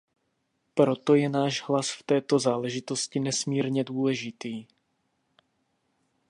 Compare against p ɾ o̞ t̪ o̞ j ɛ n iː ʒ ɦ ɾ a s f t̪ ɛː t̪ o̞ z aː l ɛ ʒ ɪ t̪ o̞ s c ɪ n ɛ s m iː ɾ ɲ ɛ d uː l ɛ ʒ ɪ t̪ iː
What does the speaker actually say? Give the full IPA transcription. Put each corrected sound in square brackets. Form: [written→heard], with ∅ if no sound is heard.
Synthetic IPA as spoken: p ɾ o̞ t̪ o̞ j ɛ n [iː→aː] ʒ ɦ [ɾ→l] a s f t̪ ɛː t̪ o̞ z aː l ɛ ʒ ɪ t̪ o̞ s c ɪ n ɛ s m iː ɾ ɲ ɛ d uː l ɛ ʒ ɪ t̪ iː